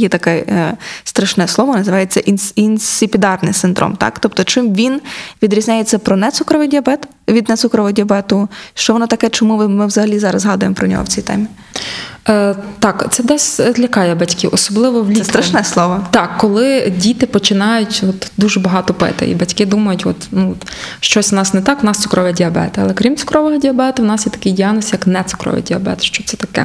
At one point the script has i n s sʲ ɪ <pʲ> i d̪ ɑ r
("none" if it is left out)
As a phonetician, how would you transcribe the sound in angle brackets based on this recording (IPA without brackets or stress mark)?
pʲ